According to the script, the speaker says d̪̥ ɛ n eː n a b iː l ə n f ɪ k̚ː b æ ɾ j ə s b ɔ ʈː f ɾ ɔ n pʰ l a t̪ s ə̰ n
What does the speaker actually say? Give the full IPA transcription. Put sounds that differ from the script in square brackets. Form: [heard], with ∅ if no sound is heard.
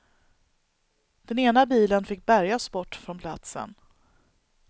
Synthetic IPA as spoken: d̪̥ ɛ n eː n a b iː l ə n f ɪ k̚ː b æ ɾ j [a] s b ɔ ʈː f ɾ ɔ n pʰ l a t̪ s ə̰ n